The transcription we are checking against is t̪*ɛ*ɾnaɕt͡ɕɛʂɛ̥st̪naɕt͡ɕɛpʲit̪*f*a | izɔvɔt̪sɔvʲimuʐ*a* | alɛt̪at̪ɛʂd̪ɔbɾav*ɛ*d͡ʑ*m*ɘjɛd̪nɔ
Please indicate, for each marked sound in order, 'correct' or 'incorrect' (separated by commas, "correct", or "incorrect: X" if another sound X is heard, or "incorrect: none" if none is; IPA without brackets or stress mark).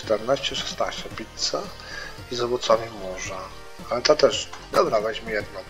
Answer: correct, incorrect: s, correct, correct, correct